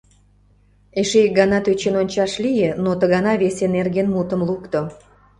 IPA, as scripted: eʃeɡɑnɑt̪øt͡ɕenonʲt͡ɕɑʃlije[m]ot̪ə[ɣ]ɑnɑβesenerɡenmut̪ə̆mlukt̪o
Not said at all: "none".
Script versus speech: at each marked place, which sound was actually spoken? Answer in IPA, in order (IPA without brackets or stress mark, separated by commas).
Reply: n, ɣ